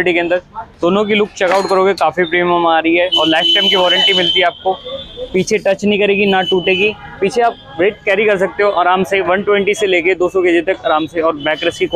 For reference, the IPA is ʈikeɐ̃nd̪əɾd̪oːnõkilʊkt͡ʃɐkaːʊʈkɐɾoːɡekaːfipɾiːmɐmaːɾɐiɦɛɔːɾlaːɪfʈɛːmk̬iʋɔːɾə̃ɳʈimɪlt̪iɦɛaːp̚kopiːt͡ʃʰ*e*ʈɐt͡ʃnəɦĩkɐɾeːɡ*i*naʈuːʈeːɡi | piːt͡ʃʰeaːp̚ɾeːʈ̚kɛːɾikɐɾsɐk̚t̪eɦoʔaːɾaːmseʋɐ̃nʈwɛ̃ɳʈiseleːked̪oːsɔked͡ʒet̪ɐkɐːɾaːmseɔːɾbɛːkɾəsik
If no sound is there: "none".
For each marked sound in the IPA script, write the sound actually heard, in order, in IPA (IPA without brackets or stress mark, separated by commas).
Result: e, i